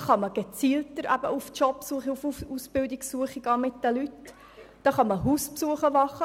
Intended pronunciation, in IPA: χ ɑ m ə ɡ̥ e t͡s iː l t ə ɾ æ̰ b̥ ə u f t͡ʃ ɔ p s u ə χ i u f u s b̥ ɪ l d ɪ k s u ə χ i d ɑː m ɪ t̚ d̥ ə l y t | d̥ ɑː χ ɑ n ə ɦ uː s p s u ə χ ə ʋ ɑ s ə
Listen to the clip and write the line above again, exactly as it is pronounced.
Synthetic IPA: χ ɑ m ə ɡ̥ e t͡s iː l t ə ɾ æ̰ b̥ ə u f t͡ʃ ɔ p s u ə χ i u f u s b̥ ɪ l d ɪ k s u ə χ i ɡ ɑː m ɪ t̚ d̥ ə l y t | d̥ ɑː χ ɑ m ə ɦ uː s p s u ə χ ə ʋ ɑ χ ə

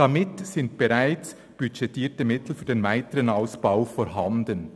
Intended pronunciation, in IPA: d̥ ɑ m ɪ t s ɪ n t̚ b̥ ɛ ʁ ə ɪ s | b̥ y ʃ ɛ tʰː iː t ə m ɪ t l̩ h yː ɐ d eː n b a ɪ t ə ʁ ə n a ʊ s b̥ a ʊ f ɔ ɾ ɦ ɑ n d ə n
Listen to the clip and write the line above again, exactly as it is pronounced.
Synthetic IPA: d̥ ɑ m ɪ t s ɪ n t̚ b̥ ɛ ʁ a ɪ t͡s | b̥ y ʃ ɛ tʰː iː t ə m ɪ t l̩ f yː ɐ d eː n v a ɪ t ə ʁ ə n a ʊ s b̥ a ʊ f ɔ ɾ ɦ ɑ n d ə n

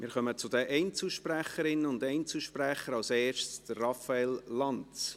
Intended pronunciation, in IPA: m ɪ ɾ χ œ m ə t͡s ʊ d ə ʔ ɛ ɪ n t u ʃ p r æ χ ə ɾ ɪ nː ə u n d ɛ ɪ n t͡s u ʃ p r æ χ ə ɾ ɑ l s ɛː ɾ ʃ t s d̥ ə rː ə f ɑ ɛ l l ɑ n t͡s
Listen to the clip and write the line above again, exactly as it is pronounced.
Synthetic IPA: m ɪ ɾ χ œ m ə t͡s ʊ d ə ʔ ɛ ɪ n t͡s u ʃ p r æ χ ə ɾ ɪ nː ə ʊ n d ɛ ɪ n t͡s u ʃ p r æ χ ə ɾ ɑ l s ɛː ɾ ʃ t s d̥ ə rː ɑ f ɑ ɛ l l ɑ n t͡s

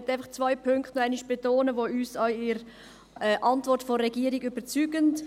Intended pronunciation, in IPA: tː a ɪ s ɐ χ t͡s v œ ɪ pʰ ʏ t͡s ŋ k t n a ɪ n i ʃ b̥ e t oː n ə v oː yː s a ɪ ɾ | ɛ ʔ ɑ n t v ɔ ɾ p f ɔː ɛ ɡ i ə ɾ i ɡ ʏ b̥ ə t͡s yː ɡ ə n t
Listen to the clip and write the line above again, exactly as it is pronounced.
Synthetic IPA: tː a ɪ f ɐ χ t͡s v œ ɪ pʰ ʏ ŋ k t n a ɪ n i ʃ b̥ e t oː n ə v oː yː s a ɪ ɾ | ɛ ʔ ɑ n t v ɔ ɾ t f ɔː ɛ ɡ i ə ɾ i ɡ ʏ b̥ ə t͡s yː ɡ ə n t

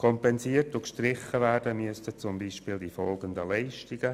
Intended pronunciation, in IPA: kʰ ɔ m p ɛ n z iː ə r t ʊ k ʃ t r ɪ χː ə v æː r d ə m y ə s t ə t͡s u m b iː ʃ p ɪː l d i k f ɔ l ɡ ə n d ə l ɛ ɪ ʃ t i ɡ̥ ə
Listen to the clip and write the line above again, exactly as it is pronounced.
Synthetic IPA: kʰ ɔ m p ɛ n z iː ə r t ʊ k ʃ t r ɪ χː ə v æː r d ə m y ə s t ə t͡s ʊ m b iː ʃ p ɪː l d i f ɔ l ɡ ə n d ə l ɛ ɪ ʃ t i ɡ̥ ə

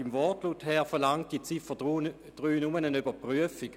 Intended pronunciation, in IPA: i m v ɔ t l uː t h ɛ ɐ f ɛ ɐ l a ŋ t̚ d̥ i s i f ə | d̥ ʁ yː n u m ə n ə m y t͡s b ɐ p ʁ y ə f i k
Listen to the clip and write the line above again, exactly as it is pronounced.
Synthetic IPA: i m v ɔ t l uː t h ɛ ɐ f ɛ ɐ l a ŋ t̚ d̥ i t͡s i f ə | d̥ ʁ yː n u m ə n ə n y b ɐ p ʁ y ə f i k

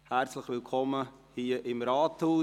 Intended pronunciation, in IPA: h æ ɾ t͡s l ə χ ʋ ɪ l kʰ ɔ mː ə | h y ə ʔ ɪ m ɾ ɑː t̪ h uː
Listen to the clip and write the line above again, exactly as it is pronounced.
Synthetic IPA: h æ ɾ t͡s l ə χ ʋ ɪ l kʰ ɔ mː ə | h i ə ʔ ɪ m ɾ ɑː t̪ h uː

